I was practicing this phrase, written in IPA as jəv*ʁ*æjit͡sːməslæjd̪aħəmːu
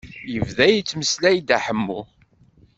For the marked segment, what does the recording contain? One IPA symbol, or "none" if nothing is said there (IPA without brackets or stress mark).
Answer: ð